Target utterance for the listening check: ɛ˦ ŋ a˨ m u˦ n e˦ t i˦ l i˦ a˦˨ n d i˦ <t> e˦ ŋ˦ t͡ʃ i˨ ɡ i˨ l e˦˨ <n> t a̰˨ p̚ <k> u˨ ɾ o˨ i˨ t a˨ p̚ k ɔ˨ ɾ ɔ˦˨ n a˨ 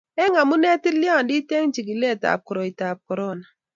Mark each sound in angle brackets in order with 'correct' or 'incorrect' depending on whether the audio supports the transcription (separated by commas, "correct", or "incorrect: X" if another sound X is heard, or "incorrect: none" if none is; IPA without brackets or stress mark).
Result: correct, incorrect: none, correct